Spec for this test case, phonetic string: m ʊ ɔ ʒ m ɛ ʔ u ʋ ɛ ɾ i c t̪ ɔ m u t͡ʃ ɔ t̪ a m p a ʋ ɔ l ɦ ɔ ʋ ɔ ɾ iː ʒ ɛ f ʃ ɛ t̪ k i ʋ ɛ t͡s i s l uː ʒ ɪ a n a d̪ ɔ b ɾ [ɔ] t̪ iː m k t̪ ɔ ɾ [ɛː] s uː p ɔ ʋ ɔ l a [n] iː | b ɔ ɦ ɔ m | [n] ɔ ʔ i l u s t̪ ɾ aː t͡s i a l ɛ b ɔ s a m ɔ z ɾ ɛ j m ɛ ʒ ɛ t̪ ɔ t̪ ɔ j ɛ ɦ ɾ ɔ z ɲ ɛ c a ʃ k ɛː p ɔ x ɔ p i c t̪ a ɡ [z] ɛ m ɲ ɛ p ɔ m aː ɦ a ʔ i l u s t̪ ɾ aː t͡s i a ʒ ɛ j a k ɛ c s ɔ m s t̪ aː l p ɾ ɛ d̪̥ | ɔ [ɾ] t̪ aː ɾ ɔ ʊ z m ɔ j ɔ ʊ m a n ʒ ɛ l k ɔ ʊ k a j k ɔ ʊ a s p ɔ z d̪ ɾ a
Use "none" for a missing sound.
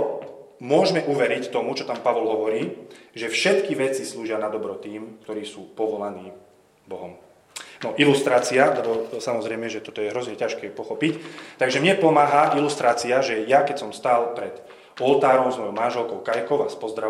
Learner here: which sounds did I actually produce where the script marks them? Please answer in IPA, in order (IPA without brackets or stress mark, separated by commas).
ɔ, iː, n, n, ʒ, l